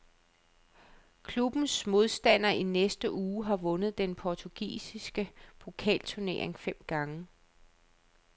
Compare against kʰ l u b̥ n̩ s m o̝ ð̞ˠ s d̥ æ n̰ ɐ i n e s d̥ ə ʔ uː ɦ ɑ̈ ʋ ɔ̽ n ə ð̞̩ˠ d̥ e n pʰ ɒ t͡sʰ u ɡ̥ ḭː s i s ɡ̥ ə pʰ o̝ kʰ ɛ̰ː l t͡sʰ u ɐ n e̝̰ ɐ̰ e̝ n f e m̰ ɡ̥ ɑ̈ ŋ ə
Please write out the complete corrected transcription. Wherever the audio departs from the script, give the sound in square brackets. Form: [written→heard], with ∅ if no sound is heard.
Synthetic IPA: kʰ l u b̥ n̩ s m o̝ ð̞ˠ s d̥ æ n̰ ɐ i n e s d̥ ə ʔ uː ɦ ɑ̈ ʋ ɔ̽ n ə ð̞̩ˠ d̥ e n pʰ ɒ t͡sʰ u ɡ̥ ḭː s i s ɡ̥ ə pʰ o̝ kʰ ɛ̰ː l t͡sʰ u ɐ n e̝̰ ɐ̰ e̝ [n→ŋ] f e m̰ ɡ̥ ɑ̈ ŋ ə